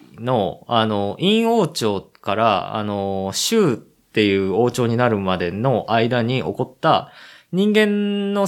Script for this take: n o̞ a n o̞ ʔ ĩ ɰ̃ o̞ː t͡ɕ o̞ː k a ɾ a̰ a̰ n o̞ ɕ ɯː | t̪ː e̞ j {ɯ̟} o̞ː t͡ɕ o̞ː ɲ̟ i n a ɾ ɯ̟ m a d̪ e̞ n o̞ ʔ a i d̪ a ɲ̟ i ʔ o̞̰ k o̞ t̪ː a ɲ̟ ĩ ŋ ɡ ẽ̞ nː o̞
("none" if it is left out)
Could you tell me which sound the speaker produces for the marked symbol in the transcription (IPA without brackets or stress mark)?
ɯ̟ː